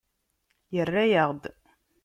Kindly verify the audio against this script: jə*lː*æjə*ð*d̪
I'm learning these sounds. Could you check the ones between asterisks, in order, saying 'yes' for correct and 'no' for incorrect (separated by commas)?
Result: no, no